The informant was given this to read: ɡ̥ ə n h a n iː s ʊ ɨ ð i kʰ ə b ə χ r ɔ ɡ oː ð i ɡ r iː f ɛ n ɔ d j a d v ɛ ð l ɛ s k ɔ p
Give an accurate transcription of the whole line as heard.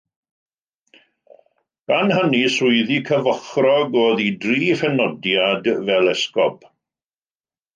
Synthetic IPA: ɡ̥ a n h ə n i s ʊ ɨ ð i kʰ ə v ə χ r ɔ ɡ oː ð i d r iː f ɛ n ɔ d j a d v ɛ l ɛ s k ɔ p